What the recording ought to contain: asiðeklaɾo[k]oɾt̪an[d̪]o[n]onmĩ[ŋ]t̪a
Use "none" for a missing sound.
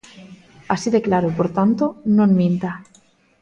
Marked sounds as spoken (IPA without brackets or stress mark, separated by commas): p, t̪, n, n